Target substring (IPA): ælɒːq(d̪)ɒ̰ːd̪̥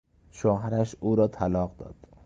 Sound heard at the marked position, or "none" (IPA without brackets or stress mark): d̪